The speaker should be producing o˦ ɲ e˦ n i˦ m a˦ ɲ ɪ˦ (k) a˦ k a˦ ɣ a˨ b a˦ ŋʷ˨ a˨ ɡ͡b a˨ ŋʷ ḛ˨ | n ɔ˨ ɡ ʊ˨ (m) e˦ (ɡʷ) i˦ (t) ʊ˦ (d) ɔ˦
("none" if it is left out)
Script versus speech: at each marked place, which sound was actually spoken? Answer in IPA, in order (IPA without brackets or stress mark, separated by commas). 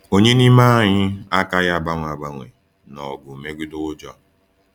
none, m, ɡʷ, d, d͡ʒ